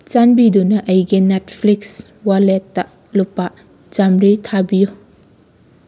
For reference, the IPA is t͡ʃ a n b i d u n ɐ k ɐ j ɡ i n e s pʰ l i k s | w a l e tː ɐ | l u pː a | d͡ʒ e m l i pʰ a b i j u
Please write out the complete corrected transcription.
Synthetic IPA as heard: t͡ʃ a n b i d u n ɐ ʔ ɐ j ɡ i n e t pʰ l i k s | w a l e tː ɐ | l u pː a | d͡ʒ a m ɾ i tʰ a b i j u